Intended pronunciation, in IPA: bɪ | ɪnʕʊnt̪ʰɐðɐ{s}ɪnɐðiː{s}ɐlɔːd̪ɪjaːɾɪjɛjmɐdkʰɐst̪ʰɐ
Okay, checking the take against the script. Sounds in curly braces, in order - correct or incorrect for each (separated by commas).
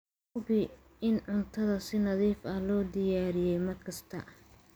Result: correct, incorrect